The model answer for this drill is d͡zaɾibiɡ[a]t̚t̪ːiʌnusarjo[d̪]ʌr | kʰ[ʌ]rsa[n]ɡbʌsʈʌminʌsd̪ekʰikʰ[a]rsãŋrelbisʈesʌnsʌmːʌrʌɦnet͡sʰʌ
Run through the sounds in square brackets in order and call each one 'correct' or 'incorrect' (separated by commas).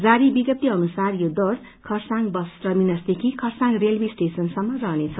incorrect, correct, correct, incorrect, incorrect